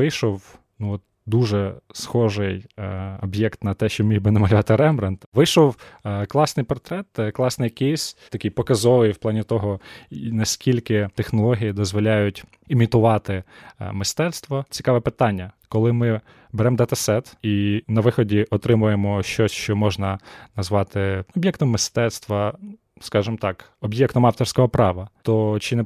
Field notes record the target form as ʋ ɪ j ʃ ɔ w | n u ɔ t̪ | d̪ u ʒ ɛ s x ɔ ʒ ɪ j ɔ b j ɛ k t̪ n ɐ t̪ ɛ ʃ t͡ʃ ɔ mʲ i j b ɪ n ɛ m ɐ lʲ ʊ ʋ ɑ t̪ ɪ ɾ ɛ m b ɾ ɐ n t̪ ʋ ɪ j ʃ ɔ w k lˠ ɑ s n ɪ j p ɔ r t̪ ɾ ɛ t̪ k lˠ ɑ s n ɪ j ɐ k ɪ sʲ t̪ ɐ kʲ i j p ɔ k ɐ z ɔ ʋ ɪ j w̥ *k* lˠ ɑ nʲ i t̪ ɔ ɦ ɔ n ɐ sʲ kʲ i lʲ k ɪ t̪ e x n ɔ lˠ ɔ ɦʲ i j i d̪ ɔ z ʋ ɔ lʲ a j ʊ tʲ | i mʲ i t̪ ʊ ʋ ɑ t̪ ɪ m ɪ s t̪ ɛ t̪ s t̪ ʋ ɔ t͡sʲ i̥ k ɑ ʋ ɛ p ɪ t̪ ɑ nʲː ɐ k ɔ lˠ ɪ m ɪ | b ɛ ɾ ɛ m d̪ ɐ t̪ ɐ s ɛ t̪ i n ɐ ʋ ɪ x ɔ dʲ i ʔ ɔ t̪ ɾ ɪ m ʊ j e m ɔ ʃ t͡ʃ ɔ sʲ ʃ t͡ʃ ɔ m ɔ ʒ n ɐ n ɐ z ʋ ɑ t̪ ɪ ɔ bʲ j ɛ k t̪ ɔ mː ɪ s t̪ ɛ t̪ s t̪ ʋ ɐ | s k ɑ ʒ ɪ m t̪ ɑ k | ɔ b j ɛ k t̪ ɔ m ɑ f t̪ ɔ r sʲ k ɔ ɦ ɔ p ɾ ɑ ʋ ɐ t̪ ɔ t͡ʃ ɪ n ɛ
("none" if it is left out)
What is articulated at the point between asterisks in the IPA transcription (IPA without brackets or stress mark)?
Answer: p